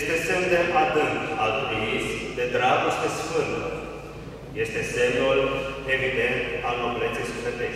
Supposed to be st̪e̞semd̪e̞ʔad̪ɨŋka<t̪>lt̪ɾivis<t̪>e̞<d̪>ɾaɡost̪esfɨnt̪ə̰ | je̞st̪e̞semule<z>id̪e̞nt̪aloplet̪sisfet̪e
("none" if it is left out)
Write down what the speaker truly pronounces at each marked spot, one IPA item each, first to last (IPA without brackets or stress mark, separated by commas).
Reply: none, d̪, d̪, v